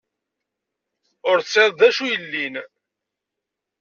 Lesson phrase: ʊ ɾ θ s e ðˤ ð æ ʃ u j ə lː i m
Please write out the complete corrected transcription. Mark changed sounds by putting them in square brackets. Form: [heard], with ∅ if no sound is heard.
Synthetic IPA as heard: ʊ ɾ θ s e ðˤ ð æ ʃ u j ə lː i [n]

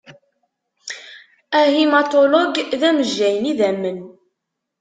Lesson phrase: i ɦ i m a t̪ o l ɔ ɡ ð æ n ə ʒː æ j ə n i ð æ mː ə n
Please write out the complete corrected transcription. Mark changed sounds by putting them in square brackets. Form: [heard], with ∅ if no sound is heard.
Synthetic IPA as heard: [æ] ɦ i m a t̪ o l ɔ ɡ ð æ [m] ə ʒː æ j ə n i ð æ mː ə n

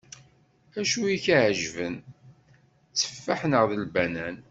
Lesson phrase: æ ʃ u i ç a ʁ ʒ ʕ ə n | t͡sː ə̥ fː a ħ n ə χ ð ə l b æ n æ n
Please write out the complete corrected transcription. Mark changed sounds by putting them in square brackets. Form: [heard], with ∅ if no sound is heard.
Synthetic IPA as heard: æ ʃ u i ç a [ʕ] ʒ [v] ə n | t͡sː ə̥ fː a ħ n ə [ʁ] ð ə l b æ n æ n

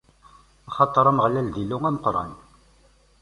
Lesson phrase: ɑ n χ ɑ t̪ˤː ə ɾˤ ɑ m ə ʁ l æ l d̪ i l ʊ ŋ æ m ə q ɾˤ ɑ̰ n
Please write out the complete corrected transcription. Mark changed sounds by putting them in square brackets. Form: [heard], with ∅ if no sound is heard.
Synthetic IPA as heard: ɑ [∅] χ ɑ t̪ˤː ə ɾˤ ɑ m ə ʁ l æ l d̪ i l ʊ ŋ æ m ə q ɾˤ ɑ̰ n

